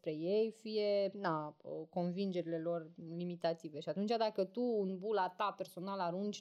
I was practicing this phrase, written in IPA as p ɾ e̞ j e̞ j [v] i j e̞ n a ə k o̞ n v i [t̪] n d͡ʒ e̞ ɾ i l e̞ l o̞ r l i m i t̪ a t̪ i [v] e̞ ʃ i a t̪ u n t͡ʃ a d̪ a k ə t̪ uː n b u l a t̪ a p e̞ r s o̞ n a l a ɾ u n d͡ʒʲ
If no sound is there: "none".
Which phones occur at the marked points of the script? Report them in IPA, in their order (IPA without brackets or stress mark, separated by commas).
f, none, v